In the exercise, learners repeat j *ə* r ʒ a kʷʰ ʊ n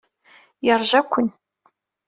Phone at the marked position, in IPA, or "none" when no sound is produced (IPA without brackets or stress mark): a